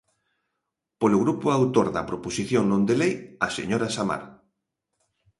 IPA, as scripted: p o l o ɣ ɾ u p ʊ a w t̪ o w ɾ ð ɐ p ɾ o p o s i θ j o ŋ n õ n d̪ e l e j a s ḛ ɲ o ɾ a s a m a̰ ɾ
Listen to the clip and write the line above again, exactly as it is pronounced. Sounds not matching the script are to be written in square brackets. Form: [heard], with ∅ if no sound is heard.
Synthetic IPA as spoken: p o l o ɣ ɾ u p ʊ a w t̪ o [∅] ɾ ð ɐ p ɾ o p o s i θ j o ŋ n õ n d̪ e l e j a s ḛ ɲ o ɾ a s a m a̰ ɾ